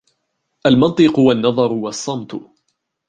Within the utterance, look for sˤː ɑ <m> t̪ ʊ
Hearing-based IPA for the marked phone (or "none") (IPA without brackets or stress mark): m